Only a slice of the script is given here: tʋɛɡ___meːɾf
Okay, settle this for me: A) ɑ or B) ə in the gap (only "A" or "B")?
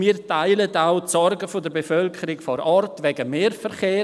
B